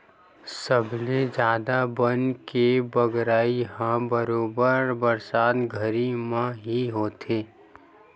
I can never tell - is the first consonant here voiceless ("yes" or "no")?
yes